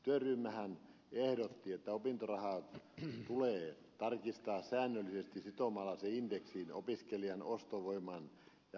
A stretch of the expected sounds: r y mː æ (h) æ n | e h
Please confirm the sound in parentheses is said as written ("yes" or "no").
yes